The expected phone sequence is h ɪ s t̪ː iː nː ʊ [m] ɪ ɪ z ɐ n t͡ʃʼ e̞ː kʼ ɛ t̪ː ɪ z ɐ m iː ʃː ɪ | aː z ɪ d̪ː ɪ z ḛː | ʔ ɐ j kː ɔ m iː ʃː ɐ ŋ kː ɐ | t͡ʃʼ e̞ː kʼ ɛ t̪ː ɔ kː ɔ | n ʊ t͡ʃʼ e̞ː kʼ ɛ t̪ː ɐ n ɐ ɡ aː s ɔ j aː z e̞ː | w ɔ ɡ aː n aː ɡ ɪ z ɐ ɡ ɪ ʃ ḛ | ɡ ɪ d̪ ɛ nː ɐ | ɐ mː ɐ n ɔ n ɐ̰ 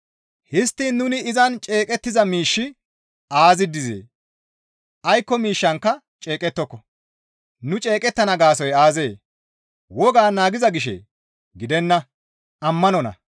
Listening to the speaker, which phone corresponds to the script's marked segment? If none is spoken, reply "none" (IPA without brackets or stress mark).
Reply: n